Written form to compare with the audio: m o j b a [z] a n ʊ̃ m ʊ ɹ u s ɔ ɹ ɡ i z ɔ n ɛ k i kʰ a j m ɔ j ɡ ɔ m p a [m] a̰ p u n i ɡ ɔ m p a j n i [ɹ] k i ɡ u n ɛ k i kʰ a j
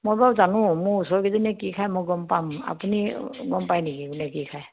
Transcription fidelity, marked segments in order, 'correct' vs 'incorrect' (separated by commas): correct, correct, incorrect